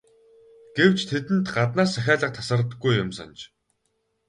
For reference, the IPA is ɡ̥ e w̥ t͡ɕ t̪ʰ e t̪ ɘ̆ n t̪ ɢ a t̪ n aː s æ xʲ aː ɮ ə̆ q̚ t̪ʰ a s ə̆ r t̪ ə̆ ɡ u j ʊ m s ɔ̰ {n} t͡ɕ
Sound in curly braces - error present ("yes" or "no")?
no